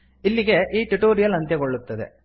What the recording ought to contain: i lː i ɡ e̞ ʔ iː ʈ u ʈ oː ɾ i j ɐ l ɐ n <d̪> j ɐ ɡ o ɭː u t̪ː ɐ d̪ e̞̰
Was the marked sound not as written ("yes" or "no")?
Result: yes